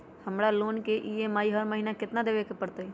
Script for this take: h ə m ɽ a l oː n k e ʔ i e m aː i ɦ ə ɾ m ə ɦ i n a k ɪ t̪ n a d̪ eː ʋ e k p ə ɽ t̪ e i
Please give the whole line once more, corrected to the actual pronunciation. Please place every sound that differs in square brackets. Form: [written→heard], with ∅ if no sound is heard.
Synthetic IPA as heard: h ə m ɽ a l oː n k e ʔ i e m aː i ɦ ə ɾ m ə ɦ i n a k ɪ t̪ n a d̪ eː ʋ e k p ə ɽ t̪ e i